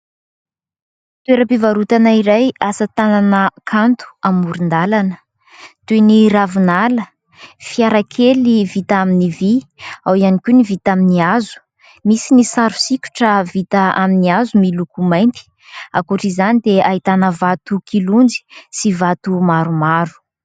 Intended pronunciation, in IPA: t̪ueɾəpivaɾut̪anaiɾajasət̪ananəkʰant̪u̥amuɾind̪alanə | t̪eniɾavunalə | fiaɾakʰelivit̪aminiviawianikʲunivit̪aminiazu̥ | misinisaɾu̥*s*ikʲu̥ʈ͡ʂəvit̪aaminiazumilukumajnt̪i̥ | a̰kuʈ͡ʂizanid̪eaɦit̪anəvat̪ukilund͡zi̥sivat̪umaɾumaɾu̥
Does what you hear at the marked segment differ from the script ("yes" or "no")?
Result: no